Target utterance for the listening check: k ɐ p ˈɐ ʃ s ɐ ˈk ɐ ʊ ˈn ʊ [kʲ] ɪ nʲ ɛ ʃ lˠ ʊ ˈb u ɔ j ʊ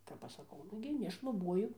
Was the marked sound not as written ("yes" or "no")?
yes